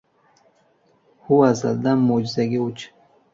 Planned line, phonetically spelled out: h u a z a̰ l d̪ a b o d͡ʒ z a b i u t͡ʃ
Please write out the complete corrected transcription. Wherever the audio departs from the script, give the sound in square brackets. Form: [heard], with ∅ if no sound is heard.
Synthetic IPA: h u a z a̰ l d̪ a [m] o d͡ʒ z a [ɡ] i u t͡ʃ